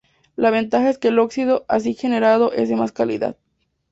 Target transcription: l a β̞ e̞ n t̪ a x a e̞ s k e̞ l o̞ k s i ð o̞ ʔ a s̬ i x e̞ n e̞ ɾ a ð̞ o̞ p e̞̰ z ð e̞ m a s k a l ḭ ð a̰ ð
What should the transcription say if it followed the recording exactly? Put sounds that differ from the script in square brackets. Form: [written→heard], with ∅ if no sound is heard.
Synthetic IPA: l a β̞ e̞ n t̪ a x a e̞ s k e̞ l o̞ k s i ð o̞ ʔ a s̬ i x e̞ n e̞ ɾ a ð̞ o̞ [p→ʔ] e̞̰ z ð e̞ m a s k a l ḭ ð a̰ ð